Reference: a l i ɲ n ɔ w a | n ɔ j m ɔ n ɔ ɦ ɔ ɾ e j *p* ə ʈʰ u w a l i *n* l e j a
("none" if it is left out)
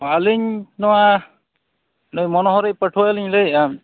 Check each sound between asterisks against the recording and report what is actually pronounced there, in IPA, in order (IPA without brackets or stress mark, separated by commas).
p, ɲ